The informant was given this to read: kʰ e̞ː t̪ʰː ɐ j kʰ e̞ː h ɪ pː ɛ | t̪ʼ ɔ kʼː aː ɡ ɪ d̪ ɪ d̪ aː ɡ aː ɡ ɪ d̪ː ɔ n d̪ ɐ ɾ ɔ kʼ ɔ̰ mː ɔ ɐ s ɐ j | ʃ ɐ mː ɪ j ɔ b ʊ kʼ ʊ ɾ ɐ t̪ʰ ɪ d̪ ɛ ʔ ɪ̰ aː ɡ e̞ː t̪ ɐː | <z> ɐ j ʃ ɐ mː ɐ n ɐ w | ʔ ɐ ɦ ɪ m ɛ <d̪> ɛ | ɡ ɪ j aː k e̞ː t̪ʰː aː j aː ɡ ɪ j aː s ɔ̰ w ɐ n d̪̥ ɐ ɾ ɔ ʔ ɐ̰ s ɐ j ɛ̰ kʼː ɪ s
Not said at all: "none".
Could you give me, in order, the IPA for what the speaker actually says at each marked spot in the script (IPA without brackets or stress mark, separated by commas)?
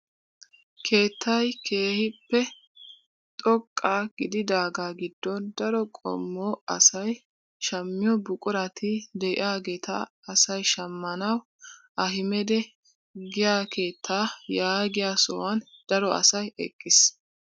s, d̪